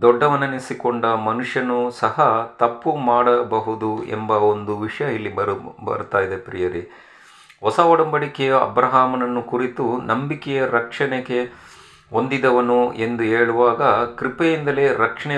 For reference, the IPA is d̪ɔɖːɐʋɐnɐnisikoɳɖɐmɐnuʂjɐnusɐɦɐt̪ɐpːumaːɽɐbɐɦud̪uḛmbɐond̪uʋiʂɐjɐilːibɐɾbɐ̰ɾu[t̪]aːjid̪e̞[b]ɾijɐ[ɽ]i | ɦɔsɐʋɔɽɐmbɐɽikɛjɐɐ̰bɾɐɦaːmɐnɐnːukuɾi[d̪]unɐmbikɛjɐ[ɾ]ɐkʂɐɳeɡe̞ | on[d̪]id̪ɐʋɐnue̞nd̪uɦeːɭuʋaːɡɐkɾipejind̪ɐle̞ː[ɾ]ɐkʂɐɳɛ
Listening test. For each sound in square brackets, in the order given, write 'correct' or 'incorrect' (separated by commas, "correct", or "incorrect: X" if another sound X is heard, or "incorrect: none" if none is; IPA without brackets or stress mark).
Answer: correct, incorrect: p, incorrect: ɾ, incorrect: t̪, correct, correct, correct